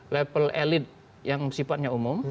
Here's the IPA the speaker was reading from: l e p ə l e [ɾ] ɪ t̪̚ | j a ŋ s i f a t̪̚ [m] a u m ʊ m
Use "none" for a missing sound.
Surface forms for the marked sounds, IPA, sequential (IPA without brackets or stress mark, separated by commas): l, ɲ